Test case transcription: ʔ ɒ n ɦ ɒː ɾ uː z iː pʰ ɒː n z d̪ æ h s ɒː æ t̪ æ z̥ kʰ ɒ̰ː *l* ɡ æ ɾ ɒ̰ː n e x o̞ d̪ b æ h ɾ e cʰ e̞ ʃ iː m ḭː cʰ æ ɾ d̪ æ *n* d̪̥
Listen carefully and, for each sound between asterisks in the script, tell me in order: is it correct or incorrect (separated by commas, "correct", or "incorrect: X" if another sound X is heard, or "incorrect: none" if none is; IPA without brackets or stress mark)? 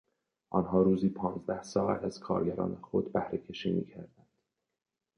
incorrect: ɾ, correct